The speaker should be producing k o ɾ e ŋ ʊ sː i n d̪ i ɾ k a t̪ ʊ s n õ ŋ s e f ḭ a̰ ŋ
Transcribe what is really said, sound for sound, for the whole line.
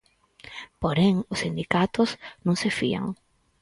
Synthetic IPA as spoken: p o ɾ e ŋ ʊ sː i n d̪ i k a t̪ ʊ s n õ ŋ s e f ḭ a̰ ŋ